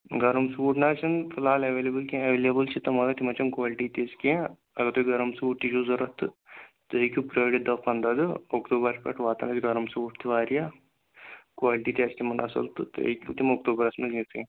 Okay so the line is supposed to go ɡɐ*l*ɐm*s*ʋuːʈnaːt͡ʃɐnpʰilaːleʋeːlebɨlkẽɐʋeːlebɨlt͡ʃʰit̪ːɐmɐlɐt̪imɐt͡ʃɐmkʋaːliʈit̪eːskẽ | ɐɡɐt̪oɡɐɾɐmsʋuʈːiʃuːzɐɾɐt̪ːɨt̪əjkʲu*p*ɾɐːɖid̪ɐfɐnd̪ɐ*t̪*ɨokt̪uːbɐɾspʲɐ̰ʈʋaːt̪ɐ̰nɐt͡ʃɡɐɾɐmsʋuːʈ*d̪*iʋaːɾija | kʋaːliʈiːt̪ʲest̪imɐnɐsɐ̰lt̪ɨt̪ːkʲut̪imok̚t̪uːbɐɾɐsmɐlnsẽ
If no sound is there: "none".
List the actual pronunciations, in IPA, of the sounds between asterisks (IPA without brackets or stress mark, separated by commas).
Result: ɾ, s, p, d̪, t̪